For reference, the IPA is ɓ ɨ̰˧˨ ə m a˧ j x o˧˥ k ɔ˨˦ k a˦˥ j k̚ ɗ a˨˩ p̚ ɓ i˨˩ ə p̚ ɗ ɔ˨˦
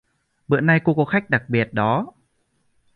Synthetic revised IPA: ɓ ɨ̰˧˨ ə n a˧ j k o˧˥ k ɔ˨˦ x a˦˥ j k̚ ɗ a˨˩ k̚ ɓ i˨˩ ə t̚ ɗ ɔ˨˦